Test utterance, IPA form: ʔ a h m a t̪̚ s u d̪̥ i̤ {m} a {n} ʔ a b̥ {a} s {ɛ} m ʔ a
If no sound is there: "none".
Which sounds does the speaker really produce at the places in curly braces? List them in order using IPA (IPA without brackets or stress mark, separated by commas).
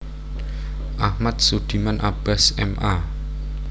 m, n, a, ɛ